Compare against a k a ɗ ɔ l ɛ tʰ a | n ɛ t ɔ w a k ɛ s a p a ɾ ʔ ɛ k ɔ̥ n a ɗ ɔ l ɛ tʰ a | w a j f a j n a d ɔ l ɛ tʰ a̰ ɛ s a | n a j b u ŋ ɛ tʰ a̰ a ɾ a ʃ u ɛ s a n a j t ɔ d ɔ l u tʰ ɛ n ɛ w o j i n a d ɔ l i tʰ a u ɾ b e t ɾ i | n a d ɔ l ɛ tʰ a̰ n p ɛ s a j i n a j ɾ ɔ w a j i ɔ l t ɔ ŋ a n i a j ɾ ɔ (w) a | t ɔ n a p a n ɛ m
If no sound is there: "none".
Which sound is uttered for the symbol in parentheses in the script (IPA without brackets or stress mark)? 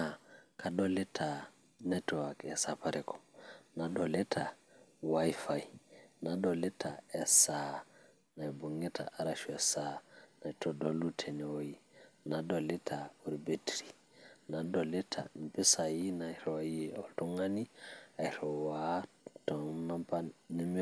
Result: w